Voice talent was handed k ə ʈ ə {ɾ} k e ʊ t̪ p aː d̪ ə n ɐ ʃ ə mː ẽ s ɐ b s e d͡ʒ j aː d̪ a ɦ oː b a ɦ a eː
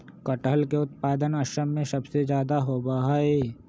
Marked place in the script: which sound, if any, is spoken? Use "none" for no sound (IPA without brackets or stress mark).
l